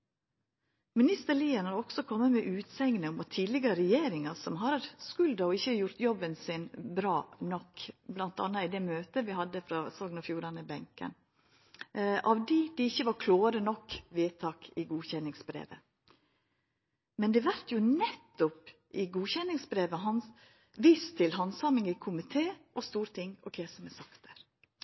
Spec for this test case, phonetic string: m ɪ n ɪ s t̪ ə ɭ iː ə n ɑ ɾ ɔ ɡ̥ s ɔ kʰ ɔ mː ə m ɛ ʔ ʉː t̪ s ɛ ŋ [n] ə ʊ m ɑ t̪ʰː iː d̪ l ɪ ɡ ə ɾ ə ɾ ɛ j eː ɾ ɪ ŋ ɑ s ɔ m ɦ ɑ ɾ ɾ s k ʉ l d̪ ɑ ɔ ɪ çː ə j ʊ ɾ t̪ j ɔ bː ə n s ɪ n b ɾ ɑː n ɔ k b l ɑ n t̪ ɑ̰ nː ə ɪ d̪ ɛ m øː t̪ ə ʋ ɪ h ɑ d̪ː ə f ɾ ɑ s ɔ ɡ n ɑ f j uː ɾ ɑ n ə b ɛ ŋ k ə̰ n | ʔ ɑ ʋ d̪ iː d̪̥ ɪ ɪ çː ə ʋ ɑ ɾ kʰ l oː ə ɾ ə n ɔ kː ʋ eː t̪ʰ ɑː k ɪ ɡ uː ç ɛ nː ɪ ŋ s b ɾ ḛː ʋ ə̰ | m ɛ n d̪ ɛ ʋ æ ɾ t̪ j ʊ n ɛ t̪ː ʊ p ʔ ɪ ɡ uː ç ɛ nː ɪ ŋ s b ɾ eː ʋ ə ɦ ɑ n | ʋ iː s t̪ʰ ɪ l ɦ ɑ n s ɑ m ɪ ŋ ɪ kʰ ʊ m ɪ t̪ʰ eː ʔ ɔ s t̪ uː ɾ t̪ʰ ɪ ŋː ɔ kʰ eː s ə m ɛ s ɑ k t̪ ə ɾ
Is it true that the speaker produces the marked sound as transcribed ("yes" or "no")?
yes